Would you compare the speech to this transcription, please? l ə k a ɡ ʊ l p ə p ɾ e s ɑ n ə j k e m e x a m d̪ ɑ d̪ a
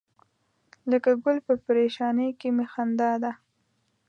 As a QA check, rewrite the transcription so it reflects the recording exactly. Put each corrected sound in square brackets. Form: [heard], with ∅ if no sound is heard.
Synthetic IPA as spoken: l ə k a ɡ ʊ l p ə p ɾ e [ʃ] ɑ n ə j k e m e x a [n] d̪ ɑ d̪ a